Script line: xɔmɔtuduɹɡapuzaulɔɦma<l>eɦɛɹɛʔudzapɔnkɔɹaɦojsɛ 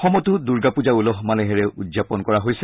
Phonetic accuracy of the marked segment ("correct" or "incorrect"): correct